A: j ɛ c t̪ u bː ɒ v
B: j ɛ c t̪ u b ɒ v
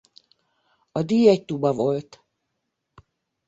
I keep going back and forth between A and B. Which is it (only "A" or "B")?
B